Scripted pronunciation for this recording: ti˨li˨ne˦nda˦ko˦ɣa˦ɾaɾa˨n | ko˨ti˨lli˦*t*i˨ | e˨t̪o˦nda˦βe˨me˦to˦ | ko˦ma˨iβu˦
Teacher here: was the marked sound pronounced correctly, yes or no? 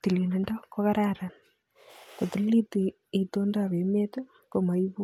yes